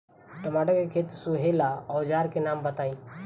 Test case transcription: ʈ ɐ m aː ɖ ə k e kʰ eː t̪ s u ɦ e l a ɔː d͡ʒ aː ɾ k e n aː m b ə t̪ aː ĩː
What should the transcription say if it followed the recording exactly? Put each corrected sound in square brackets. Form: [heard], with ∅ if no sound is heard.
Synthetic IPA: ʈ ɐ m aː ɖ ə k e kʰ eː t̪ s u ɦ e l a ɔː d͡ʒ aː ɾ k e n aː m b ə t̪ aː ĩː